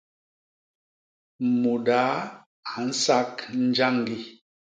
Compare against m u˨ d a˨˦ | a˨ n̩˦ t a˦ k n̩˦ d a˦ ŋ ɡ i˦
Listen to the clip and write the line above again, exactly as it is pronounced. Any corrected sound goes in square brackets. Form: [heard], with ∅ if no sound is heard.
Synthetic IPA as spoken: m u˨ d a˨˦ | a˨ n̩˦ [s] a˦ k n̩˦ [d͡ʒ] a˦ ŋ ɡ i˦